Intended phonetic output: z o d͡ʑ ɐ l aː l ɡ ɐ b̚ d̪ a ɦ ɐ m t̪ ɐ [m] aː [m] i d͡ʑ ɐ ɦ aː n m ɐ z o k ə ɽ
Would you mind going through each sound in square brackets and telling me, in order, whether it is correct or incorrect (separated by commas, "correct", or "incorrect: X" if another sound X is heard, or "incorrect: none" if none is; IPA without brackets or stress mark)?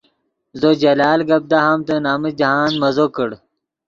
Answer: incorrect: n, correct